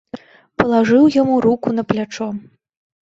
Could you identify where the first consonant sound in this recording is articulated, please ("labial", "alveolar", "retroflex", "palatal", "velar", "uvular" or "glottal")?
labial